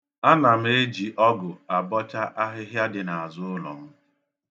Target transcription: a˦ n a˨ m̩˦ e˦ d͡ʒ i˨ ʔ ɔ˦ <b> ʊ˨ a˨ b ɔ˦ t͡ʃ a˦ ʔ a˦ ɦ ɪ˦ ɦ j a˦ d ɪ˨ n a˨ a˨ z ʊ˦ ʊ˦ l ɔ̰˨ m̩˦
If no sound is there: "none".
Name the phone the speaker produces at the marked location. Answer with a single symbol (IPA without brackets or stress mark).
ɡ